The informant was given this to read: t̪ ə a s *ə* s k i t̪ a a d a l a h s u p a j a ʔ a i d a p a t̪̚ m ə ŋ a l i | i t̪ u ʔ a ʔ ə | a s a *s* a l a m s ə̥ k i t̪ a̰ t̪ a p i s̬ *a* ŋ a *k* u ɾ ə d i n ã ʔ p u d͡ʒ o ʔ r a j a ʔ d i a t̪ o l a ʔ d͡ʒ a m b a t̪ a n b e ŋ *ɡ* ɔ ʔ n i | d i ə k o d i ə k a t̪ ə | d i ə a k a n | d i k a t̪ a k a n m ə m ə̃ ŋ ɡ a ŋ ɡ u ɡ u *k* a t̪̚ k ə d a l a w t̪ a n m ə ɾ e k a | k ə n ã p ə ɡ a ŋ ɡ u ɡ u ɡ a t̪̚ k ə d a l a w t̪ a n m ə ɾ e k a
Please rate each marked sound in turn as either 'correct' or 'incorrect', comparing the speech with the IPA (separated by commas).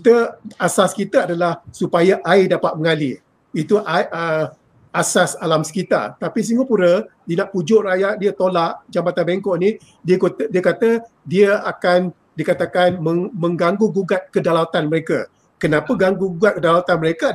incorrect, correct, incorrect, incorrect, incorrect, incorrect